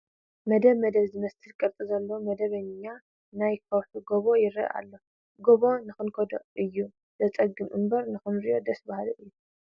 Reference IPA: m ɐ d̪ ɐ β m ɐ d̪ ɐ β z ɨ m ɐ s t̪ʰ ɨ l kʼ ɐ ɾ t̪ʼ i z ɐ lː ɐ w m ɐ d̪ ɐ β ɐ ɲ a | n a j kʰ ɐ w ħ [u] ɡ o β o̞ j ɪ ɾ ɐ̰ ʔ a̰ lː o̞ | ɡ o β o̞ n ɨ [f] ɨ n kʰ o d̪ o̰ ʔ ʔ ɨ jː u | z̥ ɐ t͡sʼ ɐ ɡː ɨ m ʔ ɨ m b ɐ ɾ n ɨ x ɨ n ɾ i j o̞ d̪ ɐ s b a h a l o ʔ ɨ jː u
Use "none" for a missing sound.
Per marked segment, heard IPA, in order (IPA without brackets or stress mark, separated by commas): u, x